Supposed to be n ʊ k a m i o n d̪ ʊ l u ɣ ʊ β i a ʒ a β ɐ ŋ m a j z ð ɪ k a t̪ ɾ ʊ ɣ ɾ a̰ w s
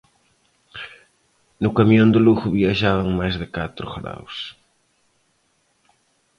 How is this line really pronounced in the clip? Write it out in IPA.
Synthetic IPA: n ʊ k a m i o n d̪ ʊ l u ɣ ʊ β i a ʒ a β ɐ ŋ m a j z ð ɪ k a t̪ ɾ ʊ ɣ ɾ a̰ w s

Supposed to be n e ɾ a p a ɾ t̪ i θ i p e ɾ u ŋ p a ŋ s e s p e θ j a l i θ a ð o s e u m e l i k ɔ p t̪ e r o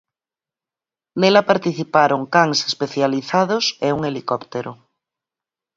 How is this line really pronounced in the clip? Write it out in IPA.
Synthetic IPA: n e l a p a ɾ t̪ i θ i p a ɾ o ŋ k a ŋ s e s p e θ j a l i θ a ð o s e u ŋ e l i k ɔ p t̪ e ɾ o

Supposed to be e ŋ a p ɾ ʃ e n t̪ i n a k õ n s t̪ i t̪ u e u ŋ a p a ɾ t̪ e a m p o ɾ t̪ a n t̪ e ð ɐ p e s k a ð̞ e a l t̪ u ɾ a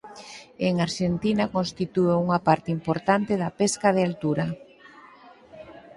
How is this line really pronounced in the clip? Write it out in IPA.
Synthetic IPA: e ŋ a ɾ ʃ e n t̪ i n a k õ n s t̪ i t̪ u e u ŋ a p a ɾ t̪ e i m p o ɾ t̪ a n t̪ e ð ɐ p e s k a ð̞ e a l t̪ u ɾ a

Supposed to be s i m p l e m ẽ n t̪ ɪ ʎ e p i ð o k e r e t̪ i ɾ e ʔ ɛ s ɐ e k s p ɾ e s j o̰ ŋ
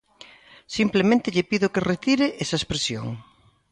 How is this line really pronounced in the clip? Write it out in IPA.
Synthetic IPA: s i m p l e m ẽ n t̪ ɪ ʎ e p i ð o k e r e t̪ i ɾ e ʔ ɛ s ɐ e s p ɾ e s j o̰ ŋ

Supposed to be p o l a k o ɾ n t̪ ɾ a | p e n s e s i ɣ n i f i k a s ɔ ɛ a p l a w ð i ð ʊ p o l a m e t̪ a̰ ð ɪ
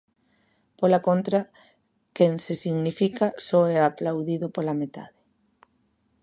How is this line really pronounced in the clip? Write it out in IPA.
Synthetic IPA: p o l a k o n t̪ ɾ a | k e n s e s i ɣ n i f i k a s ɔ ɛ a p l a w ð i ð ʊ p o l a m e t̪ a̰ ð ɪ

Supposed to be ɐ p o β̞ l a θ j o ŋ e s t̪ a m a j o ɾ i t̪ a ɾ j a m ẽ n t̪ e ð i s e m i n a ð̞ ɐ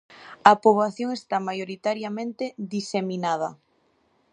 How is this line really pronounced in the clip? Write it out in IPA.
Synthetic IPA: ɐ p o β̞ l a θ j o ŋ e s t̪ a m a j o ɾ i t̪ a ɾ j a m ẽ n t̪ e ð i s e m i n a ð̞ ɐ

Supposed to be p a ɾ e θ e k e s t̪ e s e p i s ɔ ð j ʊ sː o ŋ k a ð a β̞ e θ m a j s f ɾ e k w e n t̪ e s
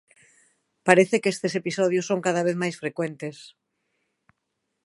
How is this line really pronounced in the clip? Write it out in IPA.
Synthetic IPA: p a ɾ e θ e k e s t̪ e s e p i s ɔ ð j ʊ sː o ŋ k a ð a β̞ e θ m a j s f ɾ e k w e n t̪ e s

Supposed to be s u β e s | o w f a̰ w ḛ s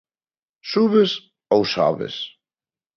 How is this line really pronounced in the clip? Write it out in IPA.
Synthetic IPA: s u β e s | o w s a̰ β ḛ s

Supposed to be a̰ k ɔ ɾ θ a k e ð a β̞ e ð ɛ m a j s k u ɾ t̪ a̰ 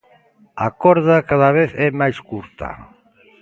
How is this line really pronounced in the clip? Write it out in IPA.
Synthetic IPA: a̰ k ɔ ɾ ð a k a ð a β̞ e θ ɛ m a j s k u ɾ t̪ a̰

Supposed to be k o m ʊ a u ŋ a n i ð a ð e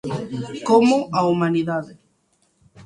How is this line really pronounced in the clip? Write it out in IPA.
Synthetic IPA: k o m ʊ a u m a n i ð a ð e

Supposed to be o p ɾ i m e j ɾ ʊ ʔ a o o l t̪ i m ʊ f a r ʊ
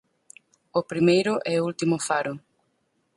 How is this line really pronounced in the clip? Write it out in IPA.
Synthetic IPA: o p ɾ i m e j ɾ ʊ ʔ ɛ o u l t̪ i m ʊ f a ɾ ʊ

